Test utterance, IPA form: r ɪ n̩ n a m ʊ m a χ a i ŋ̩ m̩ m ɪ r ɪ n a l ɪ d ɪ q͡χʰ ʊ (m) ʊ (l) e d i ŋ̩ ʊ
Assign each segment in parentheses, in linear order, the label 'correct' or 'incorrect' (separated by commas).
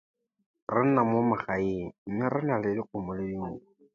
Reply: correct, correct